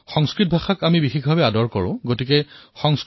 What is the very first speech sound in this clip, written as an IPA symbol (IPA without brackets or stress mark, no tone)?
x